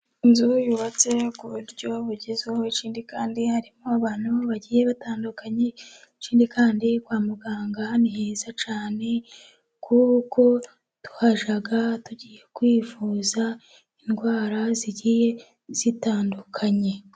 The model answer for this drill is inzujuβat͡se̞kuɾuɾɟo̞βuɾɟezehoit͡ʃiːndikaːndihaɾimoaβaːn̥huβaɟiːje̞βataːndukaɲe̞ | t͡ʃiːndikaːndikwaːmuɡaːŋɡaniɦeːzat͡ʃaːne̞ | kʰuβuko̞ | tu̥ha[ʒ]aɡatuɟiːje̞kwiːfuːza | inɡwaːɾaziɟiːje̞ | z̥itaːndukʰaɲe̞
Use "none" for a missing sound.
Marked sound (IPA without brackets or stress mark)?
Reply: ʒ